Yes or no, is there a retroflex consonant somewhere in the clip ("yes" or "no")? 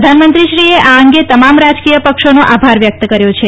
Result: no